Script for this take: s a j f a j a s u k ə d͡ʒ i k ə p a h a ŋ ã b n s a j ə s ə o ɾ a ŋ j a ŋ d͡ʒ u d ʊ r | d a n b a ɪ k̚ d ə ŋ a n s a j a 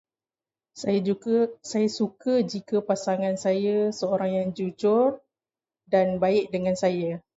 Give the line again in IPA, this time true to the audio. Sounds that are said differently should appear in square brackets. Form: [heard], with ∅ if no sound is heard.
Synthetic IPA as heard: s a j [s] a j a s u k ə d͡ʒ i k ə p a [s] a ŋ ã [∅] n s a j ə s ə o ɾ a ŋ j a ŋ d͡ʒ u [d͡ʒ] ʊ r | d a n b a ɪ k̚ d ə ŋ a n s a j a